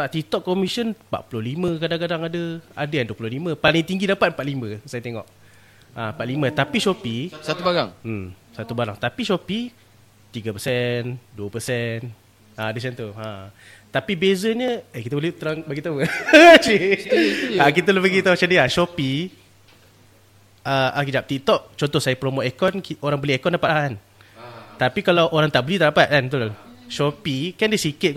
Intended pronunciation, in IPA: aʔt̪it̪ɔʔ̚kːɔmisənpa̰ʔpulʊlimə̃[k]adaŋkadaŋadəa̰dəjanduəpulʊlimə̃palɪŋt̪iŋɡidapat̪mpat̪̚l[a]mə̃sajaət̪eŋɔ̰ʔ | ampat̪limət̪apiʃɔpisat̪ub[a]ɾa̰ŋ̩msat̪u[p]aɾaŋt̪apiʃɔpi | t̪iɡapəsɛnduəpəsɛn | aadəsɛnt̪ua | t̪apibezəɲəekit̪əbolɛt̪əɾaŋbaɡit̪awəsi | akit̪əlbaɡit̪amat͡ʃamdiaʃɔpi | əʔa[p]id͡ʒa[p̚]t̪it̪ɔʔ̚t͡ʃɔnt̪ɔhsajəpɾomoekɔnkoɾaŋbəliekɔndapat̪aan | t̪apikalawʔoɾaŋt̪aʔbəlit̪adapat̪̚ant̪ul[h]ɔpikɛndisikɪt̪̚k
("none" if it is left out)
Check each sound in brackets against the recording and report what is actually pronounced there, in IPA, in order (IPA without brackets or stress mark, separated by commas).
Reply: k, i, a, b, k, p̚, ʃ